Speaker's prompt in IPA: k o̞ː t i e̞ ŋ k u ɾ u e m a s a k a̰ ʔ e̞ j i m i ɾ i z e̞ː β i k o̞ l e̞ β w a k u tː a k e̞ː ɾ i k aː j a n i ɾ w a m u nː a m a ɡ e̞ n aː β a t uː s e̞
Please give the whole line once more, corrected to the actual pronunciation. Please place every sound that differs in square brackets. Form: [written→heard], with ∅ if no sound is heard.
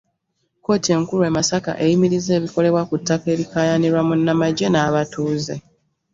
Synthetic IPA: k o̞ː t i e̞ ŋ k u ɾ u e m a s a k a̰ ʔ e̞ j i m i ɾ i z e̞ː β i k o̞ l e̞ β w a k u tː a k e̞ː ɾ i k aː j a n i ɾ w a m u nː a m a [ɡ→ɟ] e̞ n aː β a t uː [s→z] e̞